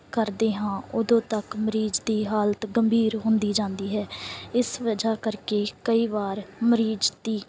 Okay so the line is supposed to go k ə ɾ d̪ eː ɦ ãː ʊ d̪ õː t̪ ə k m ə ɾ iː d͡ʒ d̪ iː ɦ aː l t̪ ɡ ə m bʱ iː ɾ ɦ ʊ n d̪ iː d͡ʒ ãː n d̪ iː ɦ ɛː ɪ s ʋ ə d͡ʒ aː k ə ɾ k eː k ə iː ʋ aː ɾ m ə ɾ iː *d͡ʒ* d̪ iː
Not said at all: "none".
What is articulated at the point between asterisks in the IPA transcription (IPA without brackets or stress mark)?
d͡ʒ